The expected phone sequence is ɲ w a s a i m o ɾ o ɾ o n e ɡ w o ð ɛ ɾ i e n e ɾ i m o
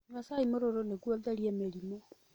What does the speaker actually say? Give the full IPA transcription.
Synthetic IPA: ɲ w a s a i m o ɾ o ɾ o n e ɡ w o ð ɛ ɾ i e m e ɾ i m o